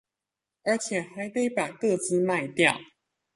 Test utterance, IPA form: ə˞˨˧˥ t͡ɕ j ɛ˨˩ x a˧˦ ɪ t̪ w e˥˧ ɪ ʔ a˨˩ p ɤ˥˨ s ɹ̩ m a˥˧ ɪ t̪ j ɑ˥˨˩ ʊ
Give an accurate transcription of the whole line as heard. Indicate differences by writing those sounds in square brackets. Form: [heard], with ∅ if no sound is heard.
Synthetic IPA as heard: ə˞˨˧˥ [t͡ɕʰ] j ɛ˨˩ x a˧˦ ɪ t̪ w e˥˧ ɪ [p] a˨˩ [k] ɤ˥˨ [t͡s] ɹ̩ m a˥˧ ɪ t̪ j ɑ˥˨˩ ʊ